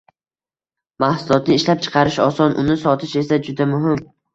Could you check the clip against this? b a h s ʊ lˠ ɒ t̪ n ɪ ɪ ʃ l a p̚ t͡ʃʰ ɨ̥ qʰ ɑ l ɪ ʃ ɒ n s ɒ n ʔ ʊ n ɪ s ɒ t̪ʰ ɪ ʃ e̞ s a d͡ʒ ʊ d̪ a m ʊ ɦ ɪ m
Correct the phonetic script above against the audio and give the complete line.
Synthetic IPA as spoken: m a h s ʊ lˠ ɒ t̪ n ɪ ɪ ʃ l a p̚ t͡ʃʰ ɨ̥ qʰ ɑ ɾ ɪ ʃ ɒ s ɒ n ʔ ʊ n ɪ s ɒ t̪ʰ ɪ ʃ e̞ s a d͡ʒ ʊ d̪ a m ʊ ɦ ɪ m